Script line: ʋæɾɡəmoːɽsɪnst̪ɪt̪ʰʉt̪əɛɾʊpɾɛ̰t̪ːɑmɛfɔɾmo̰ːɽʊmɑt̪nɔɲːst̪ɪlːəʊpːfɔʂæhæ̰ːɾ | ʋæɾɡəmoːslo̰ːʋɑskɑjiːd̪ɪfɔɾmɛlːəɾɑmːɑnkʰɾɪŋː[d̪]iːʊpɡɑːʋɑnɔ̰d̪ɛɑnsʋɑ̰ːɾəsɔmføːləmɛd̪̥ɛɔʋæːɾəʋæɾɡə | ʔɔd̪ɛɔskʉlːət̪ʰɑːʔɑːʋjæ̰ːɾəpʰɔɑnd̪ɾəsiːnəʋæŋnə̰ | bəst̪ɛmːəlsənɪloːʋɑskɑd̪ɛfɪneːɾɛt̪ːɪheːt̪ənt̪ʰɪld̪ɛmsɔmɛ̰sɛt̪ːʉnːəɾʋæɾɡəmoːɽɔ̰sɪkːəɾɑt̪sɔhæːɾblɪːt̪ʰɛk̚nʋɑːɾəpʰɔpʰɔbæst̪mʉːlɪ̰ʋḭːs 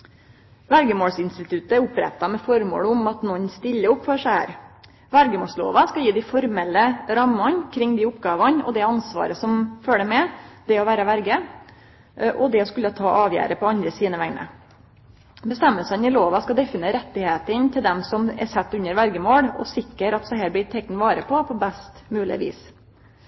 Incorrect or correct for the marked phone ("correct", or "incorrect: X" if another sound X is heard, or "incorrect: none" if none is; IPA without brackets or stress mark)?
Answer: correct